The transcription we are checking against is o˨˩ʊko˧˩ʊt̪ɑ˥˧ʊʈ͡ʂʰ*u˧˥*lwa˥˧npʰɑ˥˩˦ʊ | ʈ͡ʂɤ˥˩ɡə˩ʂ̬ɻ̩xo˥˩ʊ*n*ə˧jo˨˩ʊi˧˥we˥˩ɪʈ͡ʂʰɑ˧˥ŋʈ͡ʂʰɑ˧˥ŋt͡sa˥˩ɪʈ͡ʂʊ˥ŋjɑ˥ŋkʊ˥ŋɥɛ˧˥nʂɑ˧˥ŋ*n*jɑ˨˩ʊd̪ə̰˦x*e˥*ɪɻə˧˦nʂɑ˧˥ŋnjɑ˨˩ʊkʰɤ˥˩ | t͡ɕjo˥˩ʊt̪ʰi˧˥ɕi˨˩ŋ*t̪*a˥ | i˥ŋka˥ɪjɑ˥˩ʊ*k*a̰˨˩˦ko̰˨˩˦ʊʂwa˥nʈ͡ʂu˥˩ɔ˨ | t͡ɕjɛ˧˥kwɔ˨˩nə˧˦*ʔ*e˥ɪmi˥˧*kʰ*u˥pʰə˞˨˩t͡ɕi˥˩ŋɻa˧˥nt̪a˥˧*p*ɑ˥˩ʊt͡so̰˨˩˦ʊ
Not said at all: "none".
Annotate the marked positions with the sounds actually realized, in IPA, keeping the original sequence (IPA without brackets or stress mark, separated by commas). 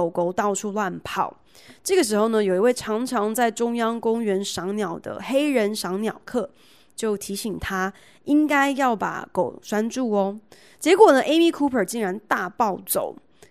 u˥˧, n, n, e˥, t̪ʰ, p, ʔ, kʰ, p